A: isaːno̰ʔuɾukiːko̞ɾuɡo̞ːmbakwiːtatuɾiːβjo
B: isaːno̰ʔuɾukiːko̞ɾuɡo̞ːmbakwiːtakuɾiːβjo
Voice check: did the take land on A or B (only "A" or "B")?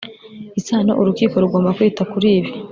B